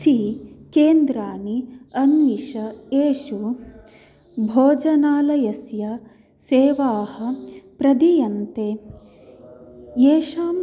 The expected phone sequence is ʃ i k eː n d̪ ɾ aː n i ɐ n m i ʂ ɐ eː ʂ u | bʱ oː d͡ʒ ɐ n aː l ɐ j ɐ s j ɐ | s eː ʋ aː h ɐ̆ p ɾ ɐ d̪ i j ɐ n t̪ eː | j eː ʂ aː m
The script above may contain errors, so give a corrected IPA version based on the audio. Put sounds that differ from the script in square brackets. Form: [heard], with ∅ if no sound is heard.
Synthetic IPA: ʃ i k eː n d̪ ɾ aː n i ɐ n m i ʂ ɐ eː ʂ u | bʱ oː d͡ʒ ɐ n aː l ɐ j ɐ s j ɐ | s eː ʋ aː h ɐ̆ p ɾ ɐ d̪ i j ɐ n t̪ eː | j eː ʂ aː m